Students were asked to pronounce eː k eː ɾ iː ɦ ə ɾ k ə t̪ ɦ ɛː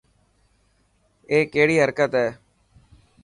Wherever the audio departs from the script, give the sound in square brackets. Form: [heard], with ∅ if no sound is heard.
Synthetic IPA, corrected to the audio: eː k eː [ɽ] iː ɦ ə ɾ k ə t̪ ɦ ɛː